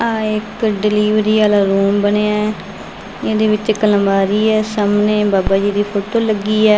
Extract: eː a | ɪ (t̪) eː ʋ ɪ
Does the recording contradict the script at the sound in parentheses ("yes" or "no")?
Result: yes